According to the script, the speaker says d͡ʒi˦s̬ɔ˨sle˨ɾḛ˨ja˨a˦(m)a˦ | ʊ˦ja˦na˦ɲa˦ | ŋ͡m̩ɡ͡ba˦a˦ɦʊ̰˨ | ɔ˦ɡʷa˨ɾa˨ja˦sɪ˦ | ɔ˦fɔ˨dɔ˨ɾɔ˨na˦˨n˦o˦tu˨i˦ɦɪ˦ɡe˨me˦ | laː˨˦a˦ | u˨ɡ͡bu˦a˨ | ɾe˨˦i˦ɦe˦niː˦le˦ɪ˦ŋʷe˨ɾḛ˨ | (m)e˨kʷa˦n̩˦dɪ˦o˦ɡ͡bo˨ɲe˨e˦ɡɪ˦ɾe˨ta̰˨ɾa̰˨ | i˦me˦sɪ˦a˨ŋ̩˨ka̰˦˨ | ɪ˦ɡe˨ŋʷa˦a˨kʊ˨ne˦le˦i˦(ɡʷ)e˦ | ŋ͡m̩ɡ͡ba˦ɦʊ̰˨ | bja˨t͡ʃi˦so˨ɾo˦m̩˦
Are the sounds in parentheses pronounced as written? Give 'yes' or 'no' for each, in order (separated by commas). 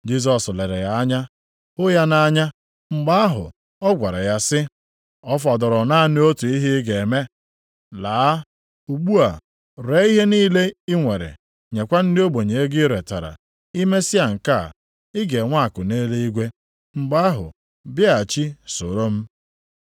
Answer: no, no, yes